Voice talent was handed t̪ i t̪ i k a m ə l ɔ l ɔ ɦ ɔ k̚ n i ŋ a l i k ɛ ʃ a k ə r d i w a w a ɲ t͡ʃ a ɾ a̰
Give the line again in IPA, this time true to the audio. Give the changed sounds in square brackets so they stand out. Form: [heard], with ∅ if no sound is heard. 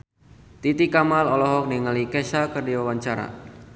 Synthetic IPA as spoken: t̪ i t̪ i k a m [a] l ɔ l ɔ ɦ ɔ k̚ n i ŋ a l i k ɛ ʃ a k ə r d i w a w a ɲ t͡ʃ a ɾ a̰